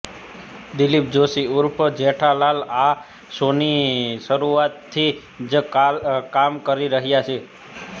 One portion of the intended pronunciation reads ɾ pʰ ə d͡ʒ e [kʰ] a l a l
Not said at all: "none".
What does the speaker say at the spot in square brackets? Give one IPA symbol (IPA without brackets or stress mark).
ʈʰ